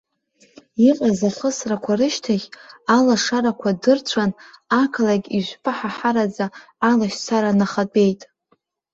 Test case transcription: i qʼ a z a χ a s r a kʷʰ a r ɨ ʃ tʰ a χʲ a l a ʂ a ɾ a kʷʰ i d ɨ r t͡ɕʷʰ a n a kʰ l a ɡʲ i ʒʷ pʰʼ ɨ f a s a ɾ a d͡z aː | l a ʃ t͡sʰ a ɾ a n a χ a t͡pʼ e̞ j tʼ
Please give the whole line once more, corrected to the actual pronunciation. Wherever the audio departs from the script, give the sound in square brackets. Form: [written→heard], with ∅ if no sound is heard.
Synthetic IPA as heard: i qʼ a z a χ [a→ə] s r a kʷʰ a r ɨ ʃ tʰ a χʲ a l a ʂ a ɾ a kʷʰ [i→a] d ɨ r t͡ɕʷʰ a n a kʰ l a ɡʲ i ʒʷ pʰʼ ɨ [f→ħ] a [s→ħ] a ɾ a d͡z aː | l a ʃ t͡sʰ a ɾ a n a χ a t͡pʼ e̞ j tʼ